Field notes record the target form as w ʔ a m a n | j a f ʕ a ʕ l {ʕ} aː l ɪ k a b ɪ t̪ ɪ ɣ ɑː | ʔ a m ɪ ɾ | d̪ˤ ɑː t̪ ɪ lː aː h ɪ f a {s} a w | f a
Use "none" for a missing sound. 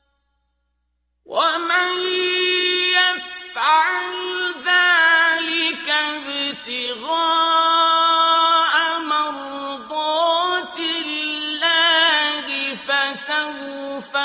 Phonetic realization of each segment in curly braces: ð, s

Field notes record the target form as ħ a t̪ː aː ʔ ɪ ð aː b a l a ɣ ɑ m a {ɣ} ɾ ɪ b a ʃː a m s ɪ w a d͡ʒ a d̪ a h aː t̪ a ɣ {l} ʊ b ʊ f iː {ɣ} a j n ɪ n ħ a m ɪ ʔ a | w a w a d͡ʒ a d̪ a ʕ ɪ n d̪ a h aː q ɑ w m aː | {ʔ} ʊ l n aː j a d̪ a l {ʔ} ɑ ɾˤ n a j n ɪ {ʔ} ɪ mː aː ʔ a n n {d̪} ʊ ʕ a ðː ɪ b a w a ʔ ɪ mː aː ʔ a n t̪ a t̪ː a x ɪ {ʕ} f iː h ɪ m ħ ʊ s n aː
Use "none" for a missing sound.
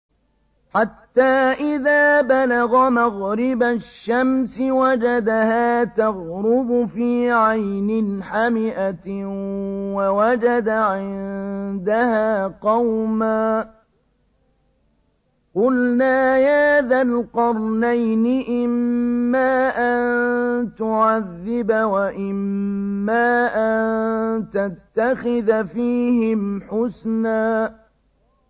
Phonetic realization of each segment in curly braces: ɣ, ɾ, ʕ, q, q, ʔ, t̪, ð

